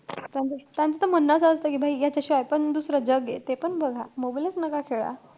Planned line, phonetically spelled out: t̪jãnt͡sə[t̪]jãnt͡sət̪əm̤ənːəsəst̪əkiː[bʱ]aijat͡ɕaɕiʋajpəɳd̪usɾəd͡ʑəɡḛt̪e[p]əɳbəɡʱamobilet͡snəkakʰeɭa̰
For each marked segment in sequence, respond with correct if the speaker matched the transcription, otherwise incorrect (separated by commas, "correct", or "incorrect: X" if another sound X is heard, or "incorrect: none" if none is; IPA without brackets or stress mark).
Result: correct, correct, correct